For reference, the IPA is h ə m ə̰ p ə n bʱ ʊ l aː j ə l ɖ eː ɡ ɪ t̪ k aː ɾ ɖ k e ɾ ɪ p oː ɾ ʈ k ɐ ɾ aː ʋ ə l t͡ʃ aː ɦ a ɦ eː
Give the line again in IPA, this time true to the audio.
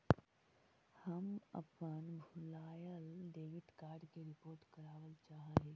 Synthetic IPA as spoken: h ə m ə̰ p ə n bʱ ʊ l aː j ə l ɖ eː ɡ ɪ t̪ k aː ɾ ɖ k e ɾ ɪ p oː ɾ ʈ k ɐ ɾ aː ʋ ə l t͡ʃ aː ɦ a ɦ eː